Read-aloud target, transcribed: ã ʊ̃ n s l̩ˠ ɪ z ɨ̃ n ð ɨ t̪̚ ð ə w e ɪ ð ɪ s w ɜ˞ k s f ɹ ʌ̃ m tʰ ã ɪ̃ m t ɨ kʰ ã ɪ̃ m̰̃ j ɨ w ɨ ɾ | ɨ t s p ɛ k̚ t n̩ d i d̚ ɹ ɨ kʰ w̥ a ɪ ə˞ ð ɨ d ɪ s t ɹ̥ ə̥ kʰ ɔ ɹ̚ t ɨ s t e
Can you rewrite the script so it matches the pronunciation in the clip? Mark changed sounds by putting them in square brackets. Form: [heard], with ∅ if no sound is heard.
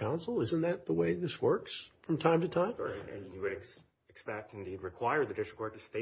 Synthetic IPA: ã ʊ̃ n s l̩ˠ ɪ z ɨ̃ n ð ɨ t̪̚ ð ə w e ɪ ð ɪ s w ɜ˞ k s f ɹ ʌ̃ m tʰ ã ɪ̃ m t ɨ [tʰ] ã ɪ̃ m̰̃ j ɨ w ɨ ɾ | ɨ [k] s p ɛ k̚ t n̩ d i d̚ ɹ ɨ kʰ w̥ a ɪ ə˞ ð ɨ d ɪ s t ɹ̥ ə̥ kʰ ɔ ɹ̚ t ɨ s t e